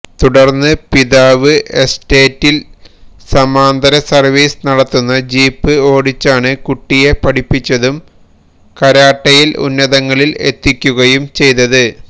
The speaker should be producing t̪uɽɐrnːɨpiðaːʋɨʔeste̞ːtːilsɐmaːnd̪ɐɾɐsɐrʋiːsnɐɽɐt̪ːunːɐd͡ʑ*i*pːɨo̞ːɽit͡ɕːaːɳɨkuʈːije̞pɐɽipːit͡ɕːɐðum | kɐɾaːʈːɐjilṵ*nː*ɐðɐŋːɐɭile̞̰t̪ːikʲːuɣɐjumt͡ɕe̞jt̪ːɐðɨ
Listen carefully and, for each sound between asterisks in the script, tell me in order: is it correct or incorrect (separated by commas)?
incorrect, correct